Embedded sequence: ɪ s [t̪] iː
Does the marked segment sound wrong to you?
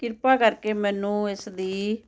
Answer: yes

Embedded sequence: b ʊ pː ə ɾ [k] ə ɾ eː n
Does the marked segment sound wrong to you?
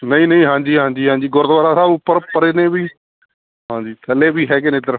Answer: yes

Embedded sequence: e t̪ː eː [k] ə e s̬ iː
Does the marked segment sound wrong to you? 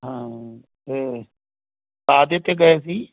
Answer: yes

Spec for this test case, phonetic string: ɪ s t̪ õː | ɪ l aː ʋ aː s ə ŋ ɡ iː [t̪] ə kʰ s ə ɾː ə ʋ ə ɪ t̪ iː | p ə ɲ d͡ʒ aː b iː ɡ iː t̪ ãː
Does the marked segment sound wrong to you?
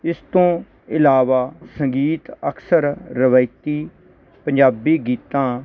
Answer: no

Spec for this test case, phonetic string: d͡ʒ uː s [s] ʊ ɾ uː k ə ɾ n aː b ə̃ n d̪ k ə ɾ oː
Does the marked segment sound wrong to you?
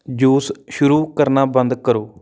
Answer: yes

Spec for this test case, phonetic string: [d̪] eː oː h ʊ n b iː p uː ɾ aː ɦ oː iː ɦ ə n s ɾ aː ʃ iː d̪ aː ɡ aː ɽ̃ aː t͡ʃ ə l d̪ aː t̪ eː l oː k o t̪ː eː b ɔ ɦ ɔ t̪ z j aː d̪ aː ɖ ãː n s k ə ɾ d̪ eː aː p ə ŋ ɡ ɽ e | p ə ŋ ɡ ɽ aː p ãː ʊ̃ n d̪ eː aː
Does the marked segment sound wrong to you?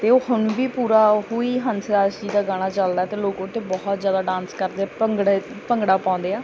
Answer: yes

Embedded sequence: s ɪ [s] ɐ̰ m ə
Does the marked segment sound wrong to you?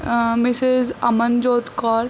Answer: yes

